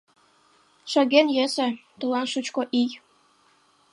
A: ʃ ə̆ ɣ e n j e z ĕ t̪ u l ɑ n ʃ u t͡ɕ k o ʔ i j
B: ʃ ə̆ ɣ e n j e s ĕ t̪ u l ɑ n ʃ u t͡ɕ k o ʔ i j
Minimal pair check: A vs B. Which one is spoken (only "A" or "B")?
B